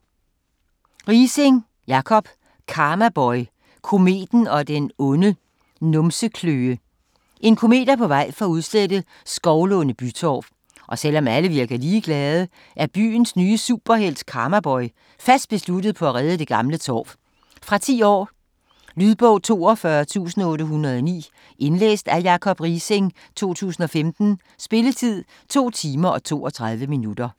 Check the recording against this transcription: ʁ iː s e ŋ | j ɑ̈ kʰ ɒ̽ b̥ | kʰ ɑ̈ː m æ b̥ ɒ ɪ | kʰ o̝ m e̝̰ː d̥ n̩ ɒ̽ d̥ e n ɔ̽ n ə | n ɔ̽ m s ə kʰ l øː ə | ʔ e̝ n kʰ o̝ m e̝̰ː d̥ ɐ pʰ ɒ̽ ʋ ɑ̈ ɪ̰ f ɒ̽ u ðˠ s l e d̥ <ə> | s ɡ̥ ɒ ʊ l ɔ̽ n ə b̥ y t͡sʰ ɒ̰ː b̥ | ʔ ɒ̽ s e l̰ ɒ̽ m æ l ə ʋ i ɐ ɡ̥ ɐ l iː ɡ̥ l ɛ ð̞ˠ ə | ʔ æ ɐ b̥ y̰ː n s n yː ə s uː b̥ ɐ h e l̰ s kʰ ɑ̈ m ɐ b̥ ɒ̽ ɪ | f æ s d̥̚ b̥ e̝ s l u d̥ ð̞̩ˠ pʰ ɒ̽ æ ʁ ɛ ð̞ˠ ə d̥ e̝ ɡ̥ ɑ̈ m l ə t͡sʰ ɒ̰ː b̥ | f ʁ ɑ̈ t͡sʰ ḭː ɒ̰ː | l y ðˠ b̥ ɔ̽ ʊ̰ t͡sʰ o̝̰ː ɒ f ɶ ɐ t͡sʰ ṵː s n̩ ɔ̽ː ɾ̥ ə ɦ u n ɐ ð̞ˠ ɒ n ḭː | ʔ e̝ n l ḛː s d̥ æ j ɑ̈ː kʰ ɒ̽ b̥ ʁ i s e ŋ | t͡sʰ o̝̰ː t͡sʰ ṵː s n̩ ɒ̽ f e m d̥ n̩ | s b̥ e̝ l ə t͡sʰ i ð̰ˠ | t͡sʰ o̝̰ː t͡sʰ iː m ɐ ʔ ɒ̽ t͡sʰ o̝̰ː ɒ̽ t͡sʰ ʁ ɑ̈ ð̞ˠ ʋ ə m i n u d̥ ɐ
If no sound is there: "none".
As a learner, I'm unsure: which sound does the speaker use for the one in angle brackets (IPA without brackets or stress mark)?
ə